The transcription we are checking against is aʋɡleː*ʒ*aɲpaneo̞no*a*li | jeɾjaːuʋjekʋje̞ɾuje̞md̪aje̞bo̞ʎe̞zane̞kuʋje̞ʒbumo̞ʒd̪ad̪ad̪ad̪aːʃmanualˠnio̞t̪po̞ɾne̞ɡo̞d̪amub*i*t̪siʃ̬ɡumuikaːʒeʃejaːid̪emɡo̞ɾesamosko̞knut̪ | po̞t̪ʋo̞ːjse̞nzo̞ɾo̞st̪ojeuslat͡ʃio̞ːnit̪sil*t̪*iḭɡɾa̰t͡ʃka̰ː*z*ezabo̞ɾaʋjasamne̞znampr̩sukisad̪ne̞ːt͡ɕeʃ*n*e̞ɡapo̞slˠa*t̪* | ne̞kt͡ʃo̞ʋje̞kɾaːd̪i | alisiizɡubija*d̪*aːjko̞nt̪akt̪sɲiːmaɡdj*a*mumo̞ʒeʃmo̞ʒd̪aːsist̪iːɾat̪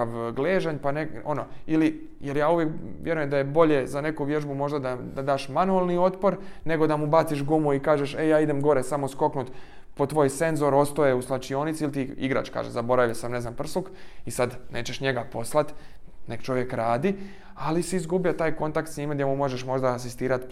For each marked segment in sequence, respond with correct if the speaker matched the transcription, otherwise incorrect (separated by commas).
correct, incorrect, incorrect, correct, incorrect, incorrect, correct, incorrect, incorrect